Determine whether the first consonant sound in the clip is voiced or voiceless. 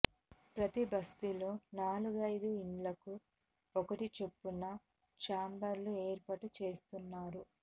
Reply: voiceless